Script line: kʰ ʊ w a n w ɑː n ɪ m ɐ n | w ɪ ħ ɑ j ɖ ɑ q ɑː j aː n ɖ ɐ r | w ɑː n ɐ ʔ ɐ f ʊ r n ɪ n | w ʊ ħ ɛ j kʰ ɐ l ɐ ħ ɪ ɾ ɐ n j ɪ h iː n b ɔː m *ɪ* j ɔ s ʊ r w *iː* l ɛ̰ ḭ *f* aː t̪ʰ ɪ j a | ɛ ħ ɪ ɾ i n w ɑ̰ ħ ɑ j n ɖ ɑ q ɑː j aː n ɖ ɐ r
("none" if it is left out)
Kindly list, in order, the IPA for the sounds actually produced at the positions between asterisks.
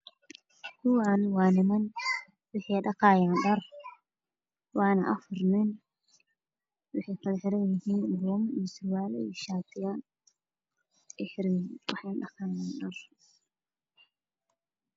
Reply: i, aː, ʃ

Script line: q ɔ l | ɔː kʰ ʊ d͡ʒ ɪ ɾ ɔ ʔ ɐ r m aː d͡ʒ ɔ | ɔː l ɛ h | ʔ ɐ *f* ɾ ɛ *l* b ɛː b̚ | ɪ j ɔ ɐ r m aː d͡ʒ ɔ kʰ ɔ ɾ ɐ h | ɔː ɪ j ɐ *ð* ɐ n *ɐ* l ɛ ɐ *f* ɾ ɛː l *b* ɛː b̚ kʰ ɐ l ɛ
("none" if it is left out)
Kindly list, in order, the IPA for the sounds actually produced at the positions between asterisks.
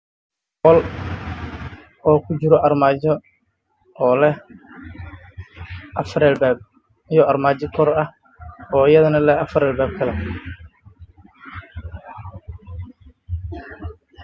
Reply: f, l, ð, ɐ, f, b

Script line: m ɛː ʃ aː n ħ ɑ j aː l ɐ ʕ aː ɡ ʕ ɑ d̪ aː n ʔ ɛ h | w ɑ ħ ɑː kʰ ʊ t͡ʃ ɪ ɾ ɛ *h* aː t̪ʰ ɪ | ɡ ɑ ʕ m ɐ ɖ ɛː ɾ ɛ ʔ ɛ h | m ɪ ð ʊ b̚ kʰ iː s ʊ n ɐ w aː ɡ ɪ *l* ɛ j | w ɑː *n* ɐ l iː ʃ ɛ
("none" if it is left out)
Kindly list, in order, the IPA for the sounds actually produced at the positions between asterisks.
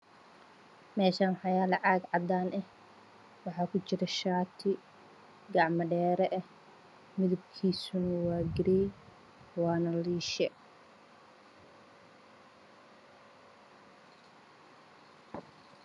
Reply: ʃ, ɾ, n

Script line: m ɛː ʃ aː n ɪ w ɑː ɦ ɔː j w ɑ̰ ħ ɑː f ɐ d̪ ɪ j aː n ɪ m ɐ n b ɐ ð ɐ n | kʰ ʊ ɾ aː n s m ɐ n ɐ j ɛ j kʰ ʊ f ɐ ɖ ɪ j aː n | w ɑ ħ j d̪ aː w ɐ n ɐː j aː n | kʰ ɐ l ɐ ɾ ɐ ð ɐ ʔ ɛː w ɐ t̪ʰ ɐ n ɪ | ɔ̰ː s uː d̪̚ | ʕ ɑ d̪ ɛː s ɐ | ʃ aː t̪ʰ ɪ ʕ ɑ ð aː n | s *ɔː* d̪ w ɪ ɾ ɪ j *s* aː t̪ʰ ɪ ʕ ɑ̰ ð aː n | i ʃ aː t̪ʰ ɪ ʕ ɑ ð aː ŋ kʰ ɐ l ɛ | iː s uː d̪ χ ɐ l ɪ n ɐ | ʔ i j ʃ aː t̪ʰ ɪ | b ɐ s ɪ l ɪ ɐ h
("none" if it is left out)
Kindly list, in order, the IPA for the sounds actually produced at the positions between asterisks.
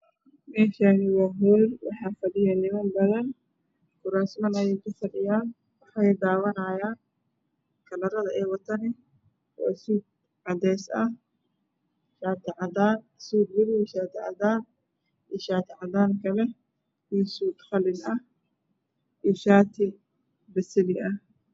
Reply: uː, ʃ

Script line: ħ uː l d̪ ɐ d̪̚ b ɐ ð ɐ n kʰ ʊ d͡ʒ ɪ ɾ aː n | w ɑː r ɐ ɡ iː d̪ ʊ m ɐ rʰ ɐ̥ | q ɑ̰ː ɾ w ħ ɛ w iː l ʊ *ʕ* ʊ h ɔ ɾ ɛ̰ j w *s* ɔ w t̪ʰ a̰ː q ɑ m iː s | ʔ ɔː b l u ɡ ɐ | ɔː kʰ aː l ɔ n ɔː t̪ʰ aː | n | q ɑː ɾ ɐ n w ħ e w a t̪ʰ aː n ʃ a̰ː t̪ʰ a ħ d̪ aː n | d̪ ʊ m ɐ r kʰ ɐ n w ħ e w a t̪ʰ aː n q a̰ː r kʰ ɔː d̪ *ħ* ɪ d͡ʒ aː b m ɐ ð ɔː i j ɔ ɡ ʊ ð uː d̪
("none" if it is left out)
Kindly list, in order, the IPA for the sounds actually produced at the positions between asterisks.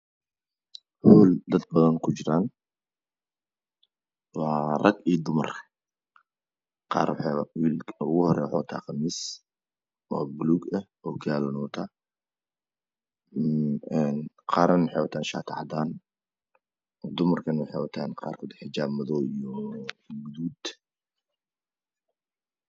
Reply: ɣ, ħ, ħ

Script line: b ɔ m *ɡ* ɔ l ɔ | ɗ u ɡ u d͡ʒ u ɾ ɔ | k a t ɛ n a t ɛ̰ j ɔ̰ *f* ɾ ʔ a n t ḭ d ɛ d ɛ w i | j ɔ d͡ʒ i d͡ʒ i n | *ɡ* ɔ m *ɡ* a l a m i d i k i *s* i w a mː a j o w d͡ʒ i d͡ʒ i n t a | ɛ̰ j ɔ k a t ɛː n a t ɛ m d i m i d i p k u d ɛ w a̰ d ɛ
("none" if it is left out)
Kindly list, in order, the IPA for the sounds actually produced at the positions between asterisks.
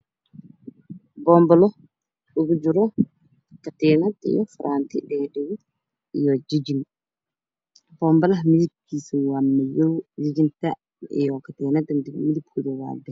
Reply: b, f, b, b, s

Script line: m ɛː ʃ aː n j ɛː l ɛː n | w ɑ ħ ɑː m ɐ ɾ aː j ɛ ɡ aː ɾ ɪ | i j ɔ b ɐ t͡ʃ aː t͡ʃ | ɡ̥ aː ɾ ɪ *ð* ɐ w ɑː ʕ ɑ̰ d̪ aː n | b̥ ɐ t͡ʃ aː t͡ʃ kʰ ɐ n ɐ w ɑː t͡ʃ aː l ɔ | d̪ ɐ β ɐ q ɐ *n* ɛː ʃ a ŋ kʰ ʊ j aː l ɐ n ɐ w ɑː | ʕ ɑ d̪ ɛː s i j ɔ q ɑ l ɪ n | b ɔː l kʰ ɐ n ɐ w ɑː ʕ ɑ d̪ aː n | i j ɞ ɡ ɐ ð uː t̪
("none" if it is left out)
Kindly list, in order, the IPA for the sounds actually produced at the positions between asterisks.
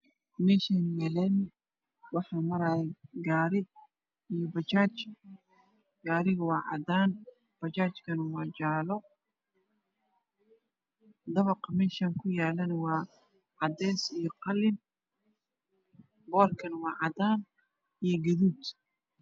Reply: ɣ, m

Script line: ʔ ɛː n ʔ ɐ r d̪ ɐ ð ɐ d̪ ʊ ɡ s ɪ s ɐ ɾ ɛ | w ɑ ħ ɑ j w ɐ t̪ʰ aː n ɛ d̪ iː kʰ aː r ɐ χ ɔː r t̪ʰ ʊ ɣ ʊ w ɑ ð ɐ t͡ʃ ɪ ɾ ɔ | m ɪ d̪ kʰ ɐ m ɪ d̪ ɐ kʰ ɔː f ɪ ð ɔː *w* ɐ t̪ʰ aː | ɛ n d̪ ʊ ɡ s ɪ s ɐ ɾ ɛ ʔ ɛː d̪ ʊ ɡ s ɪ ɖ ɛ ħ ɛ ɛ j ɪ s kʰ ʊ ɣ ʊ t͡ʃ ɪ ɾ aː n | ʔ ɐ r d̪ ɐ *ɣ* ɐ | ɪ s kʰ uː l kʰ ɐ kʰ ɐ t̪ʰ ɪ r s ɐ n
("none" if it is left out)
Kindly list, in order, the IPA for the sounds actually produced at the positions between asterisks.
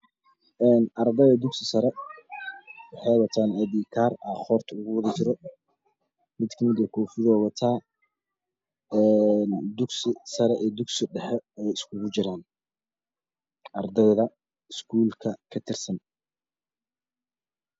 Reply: w, ð

